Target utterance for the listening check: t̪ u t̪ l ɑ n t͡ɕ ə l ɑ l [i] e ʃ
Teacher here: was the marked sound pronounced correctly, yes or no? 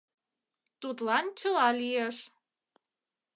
yes